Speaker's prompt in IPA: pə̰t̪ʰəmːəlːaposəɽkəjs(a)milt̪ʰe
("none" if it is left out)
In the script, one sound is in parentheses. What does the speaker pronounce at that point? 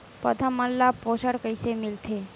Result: e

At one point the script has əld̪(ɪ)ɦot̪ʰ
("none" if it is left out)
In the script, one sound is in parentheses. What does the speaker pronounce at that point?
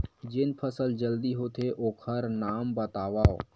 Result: i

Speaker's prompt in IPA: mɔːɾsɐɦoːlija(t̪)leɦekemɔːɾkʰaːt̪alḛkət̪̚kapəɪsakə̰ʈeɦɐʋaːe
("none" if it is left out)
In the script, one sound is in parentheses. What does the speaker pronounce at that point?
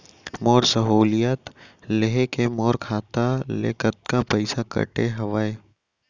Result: t̪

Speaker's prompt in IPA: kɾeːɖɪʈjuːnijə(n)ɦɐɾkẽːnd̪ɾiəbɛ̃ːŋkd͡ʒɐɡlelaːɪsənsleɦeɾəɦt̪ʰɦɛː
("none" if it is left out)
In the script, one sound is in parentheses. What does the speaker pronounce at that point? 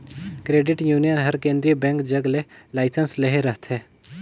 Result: n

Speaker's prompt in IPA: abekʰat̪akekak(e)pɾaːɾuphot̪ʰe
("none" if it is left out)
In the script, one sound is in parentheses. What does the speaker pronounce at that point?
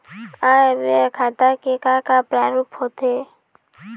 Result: a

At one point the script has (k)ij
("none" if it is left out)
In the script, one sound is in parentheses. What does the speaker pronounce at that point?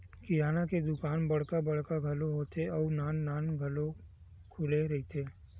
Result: k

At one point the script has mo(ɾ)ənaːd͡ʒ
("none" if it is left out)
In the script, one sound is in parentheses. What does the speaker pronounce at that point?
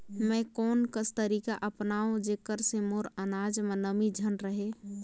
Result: ɾ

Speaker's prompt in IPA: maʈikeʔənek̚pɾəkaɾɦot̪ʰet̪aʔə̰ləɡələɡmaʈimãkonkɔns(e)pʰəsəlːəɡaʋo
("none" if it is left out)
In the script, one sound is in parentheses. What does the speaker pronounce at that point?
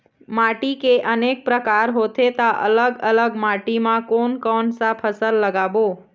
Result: a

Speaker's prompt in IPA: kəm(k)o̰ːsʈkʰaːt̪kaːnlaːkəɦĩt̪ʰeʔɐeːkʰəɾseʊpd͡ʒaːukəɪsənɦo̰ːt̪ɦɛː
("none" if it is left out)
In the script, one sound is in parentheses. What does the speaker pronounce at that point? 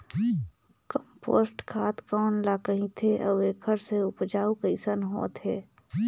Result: p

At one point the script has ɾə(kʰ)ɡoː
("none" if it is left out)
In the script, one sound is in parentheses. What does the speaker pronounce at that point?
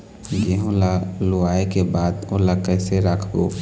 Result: kʰ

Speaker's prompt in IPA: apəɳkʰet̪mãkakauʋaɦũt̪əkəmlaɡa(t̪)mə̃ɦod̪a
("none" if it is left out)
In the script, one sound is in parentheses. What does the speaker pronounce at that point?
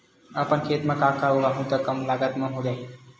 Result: t̪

